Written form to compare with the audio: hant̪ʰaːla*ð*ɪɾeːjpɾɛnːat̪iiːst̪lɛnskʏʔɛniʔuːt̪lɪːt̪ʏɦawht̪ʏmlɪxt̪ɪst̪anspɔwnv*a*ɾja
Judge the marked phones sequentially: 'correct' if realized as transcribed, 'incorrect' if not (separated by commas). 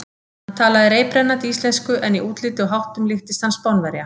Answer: correct, incorrect